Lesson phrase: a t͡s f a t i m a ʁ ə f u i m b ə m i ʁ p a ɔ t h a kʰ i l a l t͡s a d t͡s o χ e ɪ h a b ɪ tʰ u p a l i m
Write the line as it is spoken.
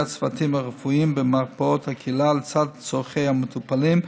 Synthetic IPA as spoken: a t͡s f a t i m a ʁ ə f u i m b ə m a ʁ p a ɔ t h a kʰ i l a l t͡s a d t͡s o χ e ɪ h a m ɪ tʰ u p a l i m